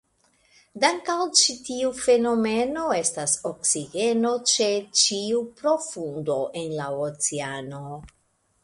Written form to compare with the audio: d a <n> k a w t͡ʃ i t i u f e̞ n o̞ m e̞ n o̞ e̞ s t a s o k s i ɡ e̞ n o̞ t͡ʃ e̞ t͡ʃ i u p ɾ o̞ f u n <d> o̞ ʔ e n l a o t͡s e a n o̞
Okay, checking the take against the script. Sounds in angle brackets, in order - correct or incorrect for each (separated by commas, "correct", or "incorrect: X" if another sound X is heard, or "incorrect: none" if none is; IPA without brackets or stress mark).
incorrect: ŋ, correct